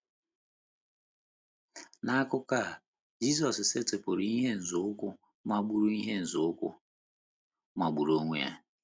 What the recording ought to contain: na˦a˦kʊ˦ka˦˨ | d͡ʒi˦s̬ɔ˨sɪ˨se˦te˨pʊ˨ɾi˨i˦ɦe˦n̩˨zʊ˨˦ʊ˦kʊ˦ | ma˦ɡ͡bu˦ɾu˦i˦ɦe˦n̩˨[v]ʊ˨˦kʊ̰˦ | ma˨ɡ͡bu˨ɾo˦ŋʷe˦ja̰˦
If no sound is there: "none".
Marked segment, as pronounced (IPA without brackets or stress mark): z